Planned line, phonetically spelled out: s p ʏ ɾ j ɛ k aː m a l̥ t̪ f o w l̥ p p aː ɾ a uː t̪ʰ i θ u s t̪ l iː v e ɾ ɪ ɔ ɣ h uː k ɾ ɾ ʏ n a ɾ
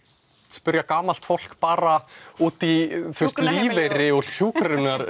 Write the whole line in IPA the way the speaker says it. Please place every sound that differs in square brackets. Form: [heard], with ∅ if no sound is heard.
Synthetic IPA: s p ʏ ɾ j [a] k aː m a l̥ t̪ f o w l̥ [k] p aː ɾ a uː [t̪] i θ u s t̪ l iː v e ɾ ɪ ɔ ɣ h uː k ɾ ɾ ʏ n a ɾ